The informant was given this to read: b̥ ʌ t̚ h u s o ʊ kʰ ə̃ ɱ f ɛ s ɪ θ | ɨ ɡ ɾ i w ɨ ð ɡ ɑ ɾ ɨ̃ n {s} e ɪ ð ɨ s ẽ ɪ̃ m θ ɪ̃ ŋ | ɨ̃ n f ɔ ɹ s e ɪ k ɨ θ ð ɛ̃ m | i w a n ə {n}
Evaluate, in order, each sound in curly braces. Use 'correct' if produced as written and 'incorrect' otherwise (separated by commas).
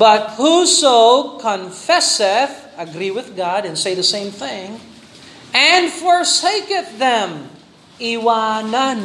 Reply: correct, correct